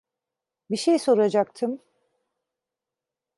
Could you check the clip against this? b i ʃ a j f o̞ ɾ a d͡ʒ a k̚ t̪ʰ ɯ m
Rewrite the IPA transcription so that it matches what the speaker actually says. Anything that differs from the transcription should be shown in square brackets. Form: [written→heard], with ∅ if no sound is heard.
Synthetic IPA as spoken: b i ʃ [a→e] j [f→s] o̞ ɾ a d͡ʒ a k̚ t̪ʰ ɯ m

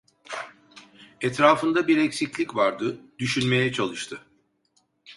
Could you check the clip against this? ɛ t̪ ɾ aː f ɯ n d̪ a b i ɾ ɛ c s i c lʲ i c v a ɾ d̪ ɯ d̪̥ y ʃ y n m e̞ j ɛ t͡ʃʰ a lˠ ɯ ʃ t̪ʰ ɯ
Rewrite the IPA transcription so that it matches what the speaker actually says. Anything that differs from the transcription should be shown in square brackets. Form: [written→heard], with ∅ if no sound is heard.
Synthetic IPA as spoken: ɛ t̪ ɾ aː f ɯ n d̪ a b i ɾ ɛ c s i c lʲ i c v a ɾ d̪ ɯ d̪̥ y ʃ y n m e̞ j ɛ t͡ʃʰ a lˠ ɯ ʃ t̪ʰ ɯ

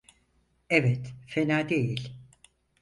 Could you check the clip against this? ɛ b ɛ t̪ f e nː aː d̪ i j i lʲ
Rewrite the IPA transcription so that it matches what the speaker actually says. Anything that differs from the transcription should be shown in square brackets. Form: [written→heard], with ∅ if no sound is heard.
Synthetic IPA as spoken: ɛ [b→v] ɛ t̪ f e [nː→n] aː d̪ [i→e] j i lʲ

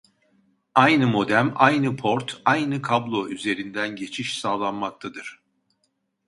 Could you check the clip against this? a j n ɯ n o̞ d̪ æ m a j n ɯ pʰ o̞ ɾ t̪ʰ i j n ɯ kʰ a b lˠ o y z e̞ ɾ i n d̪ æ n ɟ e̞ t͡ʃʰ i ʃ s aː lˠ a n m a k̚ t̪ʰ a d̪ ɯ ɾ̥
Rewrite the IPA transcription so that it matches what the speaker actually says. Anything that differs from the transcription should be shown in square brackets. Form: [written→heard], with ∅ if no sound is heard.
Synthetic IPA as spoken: a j n ɯ [n→m] o̞ d̪ æ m a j n ɯ pʰ o̞ ɾ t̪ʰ [i→a] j n ɯ kʰ a b lˠ o y z e̞ ɾ i n d̪ æ n ɟ e̞ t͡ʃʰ i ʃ s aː lˠ a n m a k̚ t̪ʰ a d̪ ɯ ɾ̥

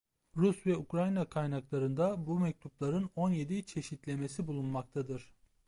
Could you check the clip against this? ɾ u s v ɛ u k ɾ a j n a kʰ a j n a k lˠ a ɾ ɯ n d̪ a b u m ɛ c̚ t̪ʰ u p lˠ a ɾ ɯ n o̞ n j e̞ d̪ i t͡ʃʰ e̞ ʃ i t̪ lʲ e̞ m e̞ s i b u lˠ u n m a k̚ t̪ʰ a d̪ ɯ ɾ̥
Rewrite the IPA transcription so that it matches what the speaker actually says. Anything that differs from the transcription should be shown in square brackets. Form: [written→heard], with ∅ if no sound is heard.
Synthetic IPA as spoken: ɾ u s v ɛ u k ɾ a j n a kʰ a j n a k lˠ a ɾ ɯ n d̪ a b u m ɛ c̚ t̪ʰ u p lˠ a ɾ ɯ n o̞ n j e̞ d̪ i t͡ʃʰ e̞ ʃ i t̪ lʲ e̞ m e̞ s i b u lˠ u n m a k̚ t̪ʰ a d̪ ɯ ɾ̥

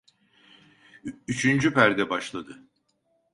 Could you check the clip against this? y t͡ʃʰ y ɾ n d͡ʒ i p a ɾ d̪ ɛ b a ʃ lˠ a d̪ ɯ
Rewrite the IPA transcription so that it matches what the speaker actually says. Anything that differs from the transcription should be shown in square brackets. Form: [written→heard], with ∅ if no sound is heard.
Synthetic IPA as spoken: y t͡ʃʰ y [ɾ→∅] n d͡ʒ [i→y] p [a→æ] ɾ d̪ ɛ b a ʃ lˠ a d̪ ɯ

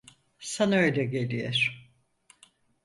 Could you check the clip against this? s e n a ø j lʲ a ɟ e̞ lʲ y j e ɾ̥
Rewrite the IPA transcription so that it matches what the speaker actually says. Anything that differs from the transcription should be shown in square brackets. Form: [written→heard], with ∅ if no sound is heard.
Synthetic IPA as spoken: s [e→a] n a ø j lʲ [a→ɛ] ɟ e̞ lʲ [y→i] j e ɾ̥

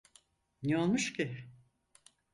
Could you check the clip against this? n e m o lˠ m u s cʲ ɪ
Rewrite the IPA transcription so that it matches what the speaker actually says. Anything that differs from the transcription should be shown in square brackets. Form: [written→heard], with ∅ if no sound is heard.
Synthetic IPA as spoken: n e [m→∅] o lˠ m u [s→ʃ] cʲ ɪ

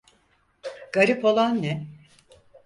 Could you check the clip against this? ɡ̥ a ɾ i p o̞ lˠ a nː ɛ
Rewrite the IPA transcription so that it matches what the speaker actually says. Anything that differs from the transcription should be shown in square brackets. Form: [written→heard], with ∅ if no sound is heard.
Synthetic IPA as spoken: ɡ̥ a ɾ i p o̞ lˠ a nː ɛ

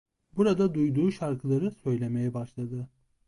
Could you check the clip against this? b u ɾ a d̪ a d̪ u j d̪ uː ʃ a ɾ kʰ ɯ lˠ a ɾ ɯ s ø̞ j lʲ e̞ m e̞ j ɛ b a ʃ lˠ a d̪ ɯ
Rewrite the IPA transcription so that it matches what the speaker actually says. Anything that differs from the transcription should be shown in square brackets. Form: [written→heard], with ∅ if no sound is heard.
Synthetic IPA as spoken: b u ɾ a d̪ a d̪ u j d̪ uː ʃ a ɾ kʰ ɯ lˠ a ɾ ɯ s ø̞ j lʲ e̞ m e̞ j ɛ b a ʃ lˠ a d̪ ɯ

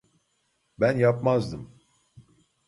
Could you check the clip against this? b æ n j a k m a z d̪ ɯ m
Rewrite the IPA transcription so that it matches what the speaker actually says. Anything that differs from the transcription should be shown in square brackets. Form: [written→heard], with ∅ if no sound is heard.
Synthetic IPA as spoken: b æ n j a [k→p] m a z d̪ ɯ m

